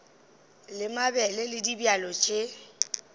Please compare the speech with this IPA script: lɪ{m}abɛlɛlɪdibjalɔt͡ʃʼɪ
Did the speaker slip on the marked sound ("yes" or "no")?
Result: no